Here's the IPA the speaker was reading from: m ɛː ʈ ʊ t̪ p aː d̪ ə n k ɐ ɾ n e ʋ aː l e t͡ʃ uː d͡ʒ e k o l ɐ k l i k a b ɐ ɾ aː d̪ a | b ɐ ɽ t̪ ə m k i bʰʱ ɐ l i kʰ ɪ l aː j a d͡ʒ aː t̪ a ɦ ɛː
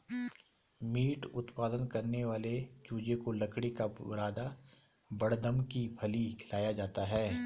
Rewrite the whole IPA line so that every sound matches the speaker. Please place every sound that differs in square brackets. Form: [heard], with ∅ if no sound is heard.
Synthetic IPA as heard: m [iː] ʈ ʊ t̪ p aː d̪ ə n k ɐ ɾ n e ʋ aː l e t͡ʃ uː d͡ʒ e k o l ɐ k [ɽ] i k a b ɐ ɾ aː d̪ a | b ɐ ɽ [d̪] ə m k i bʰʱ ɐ l i kʰ ɪ l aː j a d͡ʒ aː t̪ a ɦ ɛː